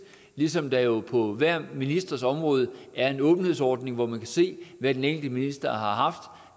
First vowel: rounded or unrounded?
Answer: unrounded